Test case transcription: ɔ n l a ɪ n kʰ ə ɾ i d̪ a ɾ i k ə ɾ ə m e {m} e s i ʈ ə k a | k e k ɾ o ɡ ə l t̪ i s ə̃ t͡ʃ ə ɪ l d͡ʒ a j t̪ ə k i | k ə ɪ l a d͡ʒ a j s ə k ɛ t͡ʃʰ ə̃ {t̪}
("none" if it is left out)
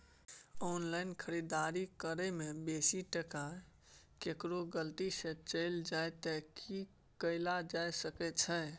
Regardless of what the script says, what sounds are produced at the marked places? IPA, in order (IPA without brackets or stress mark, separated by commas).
b, none